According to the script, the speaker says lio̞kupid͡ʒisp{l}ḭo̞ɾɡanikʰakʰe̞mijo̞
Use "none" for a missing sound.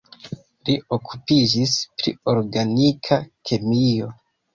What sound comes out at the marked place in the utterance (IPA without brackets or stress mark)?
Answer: ɾ